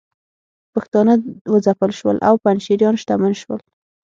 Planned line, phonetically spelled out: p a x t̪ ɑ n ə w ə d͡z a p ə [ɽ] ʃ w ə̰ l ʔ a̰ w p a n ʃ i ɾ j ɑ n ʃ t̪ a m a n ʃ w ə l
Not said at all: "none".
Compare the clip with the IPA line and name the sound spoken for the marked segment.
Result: l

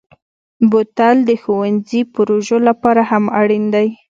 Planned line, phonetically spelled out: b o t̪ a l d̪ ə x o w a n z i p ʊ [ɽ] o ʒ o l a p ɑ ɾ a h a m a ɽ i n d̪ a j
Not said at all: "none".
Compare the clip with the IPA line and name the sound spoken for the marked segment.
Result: ɾ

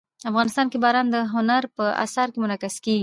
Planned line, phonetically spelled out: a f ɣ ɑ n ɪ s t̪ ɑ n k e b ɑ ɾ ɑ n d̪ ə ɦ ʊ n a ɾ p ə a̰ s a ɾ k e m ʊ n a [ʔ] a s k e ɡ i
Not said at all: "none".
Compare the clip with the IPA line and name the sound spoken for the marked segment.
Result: k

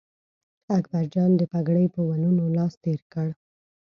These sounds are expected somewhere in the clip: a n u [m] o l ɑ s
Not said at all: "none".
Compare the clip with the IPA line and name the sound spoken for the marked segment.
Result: n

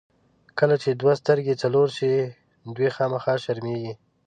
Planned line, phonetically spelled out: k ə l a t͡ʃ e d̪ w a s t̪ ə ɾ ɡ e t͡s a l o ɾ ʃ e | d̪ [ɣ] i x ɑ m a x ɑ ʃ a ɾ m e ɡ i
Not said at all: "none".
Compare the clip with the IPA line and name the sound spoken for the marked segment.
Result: w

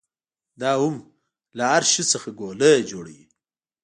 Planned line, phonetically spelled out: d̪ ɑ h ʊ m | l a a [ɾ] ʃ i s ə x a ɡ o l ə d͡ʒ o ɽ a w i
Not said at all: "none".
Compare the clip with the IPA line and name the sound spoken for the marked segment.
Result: ɾ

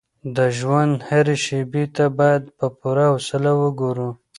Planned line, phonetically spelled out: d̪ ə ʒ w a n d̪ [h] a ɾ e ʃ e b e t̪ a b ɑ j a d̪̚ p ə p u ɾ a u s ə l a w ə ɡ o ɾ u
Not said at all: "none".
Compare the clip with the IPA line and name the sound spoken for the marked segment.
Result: h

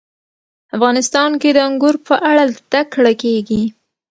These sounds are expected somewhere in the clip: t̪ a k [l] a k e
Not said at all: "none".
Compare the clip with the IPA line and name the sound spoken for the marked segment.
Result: ɽ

